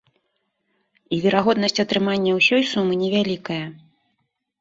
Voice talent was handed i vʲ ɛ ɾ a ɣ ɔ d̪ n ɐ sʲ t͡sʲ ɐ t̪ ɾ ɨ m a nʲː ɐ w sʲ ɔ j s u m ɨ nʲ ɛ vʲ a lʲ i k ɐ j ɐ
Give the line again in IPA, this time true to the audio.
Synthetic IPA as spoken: i vʲ ɛ ɾ a ɣ ɔ d̪ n ɐ sʲ t͡sʲ ɐ t̪ ɾ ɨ m a nʲː ɐ w sʲ ɔ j s u m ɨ nʲ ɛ vʲ a lʲ i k ɐ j ɐ